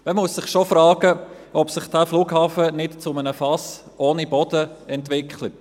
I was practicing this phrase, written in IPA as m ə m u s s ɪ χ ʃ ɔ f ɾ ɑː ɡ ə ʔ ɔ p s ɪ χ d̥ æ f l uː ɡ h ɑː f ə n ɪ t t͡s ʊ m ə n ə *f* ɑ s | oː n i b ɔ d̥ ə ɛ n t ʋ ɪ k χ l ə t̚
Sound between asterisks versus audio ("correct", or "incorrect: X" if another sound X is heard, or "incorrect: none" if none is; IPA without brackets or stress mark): correct